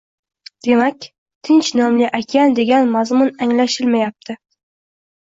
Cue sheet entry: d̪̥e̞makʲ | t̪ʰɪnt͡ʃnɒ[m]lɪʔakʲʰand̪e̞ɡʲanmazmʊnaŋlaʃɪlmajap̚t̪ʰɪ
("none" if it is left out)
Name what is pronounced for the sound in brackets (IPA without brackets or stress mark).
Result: m